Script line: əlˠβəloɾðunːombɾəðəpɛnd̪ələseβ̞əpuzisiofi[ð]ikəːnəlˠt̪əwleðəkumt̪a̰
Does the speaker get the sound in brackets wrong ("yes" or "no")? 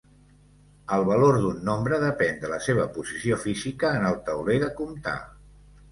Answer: yes